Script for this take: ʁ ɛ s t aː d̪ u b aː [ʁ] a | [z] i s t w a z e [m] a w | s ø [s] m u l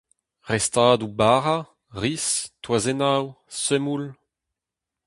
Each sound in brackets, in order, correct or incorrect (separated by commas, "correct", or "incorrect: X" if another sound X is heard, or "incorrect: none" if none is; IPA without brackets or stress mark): correct, incorrect: ʁ, incorrect: n, incorrect: none